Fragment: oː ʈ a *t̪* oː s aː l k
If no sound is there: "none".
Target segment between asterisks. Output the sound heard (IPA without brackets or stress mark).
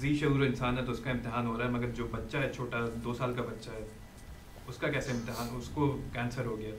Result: d̪